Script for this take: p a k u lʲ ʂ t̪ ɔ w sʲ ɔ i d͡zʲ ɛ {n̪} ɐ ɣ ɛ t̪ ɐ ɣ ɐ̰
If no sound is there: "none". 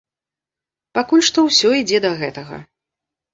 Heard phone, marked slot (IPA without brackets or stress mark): d̪